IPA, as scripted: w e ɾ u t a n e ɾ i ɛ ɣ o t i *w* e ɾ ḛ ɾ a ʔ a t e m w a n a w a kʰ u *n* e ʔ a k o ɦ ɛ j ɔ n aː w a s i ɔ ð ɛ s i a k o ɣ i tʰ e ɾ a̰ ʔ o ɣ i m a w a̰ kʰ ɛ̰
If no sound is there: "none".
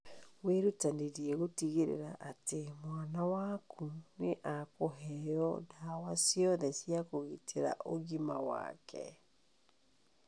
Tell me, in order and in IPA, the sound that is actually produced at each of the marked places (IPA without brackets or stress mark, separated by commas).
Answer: ɣ, n